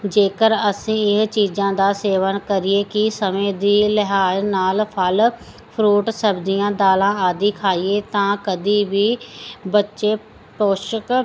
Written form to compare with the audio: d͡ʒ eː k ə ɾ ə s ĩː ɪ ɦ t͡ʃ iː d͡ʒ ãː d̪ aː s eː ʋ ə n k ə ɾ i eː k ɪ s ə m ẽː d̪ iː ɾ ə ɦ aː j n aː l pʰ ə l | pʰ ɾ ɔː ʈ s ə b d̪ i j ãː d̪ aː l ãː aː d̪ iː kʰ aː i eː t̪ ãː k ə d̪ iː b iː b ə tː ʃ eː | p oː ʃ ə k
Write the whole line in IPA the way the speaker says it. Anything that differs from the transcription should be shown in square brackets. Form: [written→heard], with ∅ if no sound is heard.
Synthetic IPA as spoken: d͡ʒ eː k ə ɾ ə s ĩː ɪ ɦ t͡ʃ iː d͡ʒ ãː d̪ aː s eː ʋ ə n k ə ɾ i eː k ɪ s ə m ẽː d̪ iː [ɾ→l] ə ɦ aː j n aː l pʰ ə l | pʰ ɾ [ɔː→uː] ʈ s ə b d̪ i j ãː d̪ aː l ãː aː d̪ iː kʰ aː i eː t̪ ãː k ə d̪ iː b iː b ə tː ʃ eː | p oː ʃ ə k